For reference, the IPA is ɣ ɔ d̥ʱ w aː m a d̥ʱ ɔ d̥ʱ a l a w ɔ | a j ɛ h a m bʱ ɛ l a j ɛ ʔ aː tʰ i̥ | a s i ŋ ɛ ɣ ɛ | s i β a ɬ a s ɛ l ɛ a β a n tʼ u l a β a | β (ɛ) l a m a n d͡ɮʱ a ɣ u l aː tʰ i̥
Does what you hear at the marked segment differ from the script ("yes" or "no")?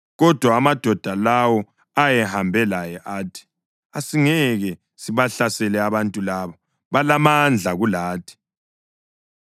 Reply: yes